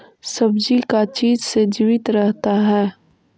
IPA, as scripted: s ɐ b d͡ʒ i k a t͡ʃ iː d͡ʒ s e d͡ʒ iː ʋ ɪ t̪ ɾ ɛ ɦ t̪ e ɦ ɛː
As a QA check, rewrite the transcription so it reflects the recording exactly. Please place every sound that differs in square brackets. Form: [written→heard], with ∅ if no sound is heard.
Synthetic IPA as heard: s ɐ b d͡ʒ i k a t͡ʃ iː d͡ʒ s e d͡ʒ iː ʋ ɪ t̪ ɾ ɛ ɦ t̪ [e→a] ɦ ɛː

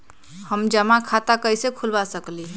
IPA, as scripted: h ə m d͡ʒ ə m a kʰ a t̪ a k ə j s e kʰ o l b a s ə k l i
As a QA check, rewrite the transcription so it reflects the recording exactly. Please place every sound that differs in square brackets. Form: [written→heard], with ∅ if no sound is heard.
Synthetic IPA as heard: h ə m d͡ʒ ə m a kʰ a t̪ a k ə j s e kʰ [o→u] l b a s ə k l i

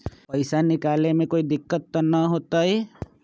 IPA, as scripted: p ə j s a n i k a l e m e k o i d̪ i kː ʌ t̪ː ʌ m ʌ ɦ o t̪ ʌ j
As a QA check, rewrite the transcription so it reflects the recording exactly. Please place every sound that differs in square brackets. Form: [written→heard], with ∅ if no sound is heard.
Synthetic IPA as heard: p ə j s a n i k a l e m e k o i d̪ i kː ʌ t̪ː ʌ [m→n] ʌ ɦ o t̪ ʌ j

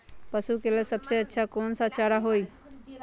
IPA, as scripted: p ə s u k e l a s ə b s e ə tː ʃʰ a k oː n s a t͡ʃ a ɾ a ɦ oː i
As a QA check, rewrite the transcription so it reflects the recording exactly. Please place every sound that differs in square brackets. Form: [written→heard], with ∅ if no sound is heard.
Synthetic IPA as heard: p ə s u k e l [a→e] s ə b s e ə tː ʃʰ a k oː n s a t͡ʃ a ɾ a ɦ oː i

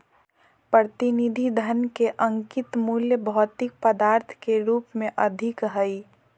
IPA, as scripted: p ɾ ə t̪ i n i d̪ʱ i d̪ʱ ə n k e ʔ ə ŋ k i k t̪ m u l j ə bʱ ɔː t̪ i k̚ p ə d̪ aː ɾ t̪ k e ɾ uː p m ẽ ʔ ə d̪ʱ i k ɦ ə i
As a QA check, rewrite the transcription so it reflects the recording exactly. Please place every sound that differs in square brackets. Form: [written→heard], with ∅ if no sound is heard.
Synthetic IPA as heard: p ɾ ə t̪ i n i d̪ʱ i d̪ʱ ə n k e ʔ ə ŋ k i [k→∅] t̪ m u l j ə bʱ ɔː t̪ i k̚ p ə d̪ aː ɾ [t̪→t̪ʰ] k e ɾ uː p m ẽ ʔ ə d̪ʱ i k ɦ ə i

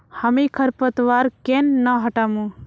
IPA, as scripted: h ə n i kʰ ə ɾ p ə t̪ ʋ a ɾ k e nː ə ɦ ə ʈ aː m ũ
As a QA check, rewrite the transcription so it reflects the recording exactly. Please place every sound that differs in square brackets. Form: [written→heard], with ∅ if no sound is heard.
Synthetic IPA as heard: h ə [n→m] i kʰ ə ɾ p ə t̪ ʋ a ɾ k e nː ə ɦ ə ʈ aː m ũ

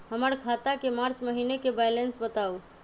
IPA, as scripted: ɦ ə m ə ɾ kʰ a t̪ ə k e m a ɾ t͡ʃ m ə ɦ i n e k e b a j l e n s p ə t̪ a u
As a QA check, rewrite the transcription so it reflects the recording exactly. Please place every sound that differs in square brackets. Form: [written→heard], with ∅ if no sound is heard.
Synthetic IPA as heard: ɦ ə m ə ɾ kʰ a t̪ [ə→a] k e m a ɾ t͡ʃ m ə ɦ i n e k e b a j l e n s [p→b] ə t̪ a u

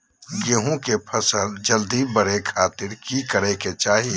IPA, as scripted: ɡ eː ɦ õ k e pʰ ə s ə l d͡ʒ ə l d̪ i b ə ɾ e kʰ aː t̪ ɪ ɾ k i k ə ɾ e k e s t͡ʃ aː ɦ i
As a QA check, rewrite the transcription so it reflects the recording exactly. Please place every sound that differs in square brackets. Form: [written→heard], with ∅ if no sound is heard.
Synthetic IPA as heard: ɡ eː ɦ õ k e pʰ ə s ə l d͡ʒ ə l d̪ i b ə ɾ e kʰ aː t̪ ɪ ɾ k i k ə ɾ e k e [s→∅] t͡ʃ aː ɦ i

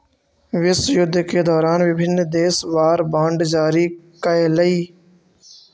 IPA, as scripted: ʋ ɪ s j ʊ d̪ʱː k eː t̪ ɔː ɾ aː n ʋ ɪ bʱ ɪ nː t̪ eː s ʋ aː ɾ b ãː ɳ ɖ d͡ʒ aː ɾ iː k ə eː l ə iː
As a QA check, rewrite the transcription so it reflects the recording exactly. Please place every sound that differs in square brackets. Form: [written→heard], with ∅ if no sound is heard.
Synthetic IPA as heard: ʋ ɪ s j ʊ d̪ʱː k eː [t̪→d̪] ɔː ɾ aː n ʋ ɪ bʱ ɪ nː [t̪→d̪] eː s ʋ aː ɾ b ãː ɳ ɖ d͡ʒ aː ɾ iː k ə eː l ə iː

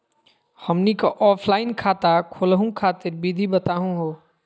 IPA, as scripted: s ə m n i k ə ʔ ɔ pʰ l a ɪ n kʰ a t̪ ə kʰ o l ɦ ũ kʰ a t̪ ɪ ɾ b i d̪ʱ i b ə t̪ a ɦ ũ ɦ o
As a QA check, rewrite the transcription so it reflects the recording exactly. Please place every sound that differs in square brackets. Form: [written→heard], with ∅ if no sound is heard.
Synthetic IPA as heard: [s→h] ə m n i k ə ʔ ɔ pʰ l a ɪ n kʰ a t̪ [ə→a] kʰ o l ɦ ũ kʰ a t̪ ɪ ɾ b i d̪ʱ i b ə t̪ a ɦ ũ ɦ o

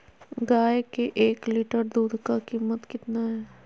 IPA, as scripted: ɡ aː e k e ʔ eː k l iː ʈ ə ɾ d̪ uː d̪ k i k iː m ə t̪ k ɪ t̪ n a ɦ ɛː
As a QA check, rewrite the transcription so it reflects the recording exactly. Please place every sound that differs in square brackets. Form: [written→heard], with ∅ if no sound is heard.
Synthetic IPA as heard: ɡ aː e k e ʔ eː k l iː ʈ ə ɾ d̪ uː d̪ k [i→a] k iː m ə t̪ k ɪ t̪ n a ɦ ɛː

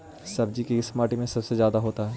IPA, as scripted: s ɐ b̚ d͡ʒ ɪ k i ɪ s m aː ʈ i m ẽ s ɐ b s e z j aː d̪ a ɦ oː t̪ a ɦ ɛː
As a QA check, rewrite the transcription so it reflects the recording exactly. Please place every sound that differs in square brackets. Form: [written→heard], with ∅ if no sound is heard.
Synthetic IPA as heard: s ɐ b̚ d͡ʒ [ɪ→i] k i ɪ s m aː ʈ i m ẽ s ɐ b s e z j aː d̪ a ɦ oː t̪ a ɦ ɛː

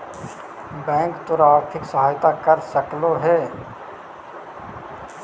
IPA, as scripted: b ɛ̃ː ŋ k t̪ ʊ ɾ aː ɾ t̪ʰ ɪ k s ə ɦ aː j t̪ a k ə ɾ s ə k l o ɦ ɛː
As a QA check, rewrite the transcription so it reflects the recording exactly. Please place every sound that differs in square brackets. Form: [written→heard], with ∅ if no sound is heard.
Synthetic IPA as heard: b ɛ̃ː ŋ k t̪ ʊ ɾ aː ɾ t̪ʰ ɪ k s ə ɦ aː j t̪ a k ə ɾ s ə k l o ɦ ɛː

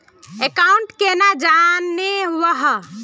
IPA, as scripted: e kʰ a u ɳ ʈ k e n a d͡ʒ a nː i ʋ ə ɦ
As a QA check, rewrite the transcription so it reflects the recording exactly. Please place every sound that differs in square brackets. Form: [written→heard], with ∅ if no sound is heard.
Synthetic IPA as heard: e [kʰ→k] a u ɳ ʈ k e n a d͡ʒ a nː [i→e] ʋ ə ɦ

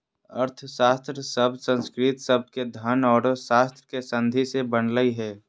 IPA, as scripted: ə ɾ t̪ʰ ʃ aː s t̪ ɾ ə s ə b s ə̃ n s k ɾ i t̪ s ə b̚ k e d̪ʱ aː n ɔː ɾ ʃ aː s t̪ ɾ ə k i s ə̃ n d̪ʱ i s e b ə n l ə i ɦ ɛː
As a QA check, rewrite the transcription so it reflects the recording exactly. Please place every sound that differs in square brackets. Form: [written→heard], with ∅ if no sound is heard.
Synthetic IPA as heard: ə ɾ t̪ʰ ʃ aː s t̪ ɾ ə s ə b s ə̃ n s k ɾ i t̪ s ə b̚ k e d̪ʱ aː n ɔː ɾ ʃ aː s t̪ ɾ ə k [i→e] s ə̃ n d̪ʱ i s e b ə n l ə i ɦ ɛː

